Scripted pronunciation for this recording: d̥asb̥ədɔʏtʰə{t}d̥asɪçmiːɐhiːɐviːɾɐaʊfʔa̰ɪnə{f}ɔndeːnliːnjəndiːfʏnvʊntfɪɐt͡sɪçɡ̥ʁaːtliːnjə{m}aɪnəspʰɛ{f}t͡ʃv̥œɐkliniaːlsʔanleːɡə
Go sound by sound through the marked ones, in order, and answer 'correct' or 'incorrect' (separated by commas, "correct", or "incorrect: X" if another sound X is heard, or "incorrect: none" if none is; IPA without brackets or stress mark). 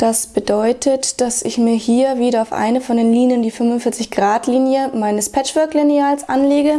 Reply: correct, correct, correct, incorrect: none